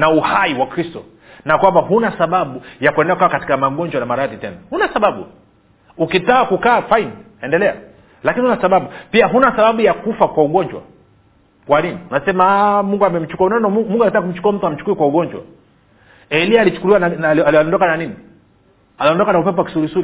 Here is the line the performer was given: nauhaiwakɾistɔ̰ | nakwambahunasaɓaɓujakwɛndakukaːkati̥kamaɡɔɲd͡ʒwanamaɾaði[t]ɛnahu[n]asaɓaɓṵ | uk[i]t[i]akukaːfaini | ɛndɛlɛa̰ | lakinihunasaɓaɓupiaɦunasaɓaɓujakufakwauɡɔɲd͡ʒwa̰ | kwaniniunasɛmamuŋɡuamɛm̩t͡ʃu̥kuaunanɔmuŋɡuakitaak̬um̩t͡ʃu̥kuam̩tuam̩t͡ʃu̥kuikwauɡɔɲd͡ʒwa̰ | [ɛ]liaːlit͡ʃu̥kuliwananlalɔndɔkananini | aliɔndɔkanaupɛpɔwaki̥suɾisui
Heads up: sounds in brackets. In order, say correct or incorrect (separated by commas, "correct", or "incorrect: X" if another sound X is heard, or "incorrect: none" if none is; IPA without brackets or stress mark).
correct, correct, correct, incorrect: a, correct